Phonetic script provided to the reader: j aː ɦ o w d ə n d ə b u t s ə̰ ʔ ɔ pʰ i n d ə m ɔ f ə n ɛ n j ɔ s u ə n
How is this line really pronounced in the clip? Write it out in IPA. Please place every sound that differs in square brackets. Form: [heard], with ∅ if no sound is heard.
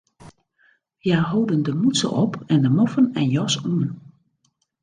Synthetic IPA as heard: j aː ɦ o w d ə n d ə [m] u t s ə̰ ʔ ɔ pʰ [ɛ] n d ə m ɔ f ə n ɛ n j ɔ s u ə n